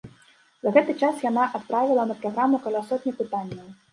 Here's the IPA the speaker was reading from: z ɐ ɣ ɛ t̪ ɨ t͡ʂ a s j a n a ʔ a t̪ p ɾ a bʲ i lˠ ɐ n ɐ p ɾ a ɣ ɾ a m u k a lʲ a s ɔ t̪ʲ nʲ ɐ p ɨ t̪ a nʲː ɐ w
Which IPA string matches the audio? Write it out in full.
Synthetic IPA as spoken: z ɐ ɣ ɛ t̪ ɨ t͡ʂ a s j a n a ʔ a t̪ p ɾ a vʲ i lˠ ɐ n ɐ p ɾ a ɣ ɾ a m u k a lʲ a s ɔ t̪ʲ nʲ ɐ p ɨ t̪ a nʲː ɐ w